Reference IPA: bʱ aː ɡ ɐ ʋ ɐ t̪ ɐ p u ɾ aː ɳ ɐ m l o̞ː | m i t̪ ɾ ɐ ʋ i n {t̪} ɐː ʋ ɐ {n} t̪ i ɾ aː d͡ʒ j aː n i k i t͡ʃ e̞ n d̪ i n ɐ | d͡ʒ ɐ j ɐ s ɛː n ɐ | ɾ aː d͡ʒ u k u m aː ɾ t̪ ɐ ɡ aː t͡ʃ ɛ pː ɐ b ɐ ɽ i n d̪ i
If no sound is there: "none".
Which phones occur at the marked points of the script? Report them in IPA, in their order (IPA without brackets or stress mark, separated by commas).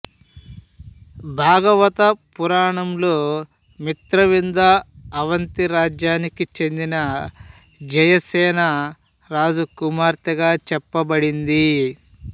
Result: d̪, n